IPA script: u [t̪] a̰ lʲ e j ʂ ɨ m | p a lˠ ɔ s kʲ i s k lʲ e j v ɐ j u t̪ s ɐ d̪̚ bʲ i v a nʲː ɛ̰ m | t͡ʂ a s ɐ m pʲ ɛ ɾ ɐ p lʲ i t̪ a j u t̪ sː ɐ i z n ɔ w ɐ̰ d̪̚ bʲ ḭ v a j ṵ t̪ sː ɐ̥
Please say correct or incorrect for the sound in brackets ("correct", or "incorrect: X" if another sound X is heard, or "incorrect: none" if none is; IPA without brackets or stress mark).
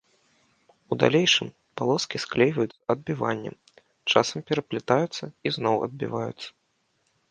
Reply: incorrect: d̪